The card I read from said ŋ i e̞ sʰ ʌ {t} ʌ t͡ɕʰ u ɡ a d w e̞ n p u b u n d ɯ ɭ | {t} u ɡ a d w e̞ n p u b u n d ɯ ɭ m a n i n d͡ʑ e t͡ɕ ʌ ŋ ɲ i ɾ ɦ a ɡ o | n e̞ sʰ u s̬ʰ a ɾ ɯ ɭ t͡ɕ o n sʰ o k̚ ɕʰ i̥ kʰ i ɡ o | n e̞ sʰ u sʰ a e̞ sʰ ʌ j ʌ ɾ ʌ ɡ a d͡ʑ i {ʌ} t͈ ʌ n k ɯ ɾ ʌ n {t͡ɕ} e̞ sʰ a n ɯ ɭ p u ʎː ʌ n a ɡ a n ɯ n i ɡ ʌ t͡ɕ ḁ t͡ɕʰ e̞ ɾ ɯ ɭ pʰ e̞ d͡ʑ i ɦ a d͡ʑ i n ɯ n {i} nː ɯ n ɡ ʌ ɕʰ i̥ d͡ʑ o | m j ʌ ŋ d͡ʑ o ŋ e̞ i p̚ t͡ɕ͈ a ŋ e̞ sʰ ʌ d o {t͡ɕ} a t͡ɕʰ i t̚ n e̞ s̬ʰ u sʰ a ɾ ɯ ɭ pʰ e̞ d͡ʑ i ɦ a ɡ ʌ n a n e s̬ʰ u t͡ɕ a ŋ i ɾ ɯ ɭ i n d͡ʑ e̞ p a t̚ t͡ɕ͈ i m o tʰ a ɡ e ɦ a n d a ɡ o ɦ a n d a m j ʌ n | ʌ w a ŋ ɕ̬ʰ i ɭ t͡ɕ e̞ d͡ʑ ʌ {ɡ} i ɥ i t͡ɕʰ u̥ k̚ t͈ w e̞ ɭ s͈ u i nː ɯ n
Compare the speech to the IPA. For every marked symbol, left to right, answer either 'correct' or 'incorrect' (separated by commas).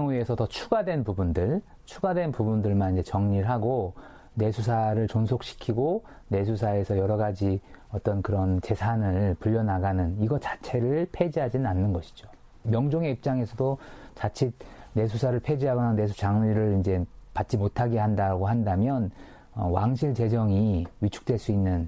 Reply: correct, incorrect, correct, correct, incorrect, correct, incorrect